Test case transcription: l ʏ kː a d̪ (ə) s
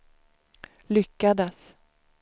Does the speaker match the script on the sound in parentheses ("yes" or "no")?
yes